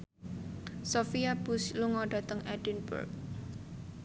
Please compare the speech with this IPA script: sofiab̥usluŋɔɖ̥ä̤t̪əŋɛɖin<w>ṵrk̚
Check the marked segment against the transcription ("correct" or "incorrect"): incorrect